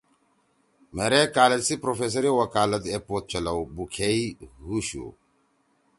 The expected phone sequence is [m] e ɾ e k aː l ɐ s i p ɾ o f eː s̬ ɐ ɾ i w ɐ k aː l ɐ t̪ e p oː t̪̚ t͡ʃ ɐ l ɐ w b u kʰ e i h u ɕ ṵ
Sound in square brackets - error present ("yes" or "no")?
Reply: no